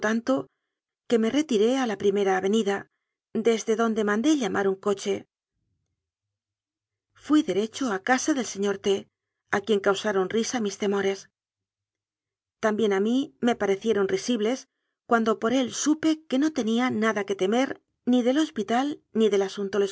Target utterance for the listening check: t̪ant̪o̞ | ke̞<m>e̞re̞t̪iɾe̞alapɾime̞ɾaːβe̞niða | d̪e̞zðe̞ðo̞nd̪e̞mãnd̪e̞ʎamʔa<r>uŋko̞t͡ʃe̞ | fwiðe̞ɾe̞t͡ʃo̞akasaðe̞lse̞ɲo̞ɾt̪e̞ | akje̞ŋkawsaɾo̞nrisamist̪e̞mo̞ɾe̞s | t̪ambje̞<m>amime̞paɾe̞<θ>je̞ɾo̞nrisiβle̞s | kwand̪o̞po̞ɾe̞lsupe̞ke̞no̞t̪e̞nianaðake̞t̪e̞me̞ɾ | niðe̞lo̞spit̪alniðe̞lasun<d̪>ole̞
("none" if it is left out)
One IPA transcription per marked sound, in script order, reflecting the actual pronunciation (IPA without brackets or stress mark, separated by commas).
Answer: m, ɾ, n, θ, t̪